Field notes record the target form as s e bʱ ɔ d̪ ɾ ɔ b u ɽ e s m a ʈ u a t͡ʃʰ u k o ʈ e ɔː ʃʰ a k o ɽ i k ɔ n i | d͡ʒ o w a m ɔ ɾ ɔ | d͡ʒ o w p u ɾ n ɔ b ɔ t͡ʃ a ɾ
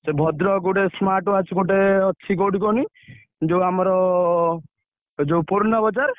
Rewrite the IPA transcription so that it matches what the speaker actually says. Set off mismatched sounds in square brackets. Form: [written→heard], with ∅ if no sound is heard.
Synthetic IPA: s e bʱ ɔ d̪ ɾ ɔ [b→ɡ] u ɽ e s m a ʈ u a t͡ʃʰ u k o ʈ e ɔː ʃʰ [a→i] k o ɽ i k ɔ n i | d͡ʒ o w a m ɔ ɾ ɔ | d͡ʒ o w p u ɾ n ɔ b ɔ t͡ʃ a ɾ